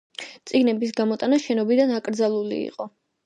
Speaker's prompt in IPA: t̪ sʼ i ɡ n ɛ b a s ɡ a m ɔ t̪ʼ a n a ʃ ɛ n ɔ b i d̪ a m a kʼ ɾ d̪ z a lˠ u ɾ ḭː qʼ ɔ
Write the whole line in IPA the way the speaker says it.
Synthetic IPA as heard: t̪ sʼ i ɡ n ɛ b i s ɡ a m ɔ t̪ʼ a n a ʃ ɛ n ɔ b i d̪ a n a kʼ ɾ d̪ z a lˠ u l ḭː qʼ ɔ